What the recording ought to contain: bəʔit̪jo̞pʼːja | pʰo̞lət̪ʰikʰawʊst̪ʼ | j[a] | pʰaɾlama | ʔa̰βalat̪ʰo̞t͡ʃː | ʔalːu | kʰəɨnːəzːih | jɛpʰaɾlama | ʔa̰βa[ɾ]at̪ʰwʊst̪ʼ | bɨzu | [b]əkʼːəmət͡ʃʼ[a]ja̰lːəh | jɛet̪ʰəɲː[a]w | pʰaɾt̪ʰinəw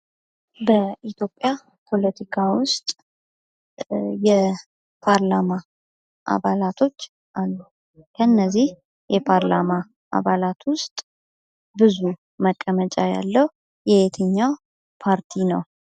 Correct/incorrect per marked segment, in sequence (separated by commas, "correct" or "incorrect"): incorrect, incorrect, incorrect, correct, correct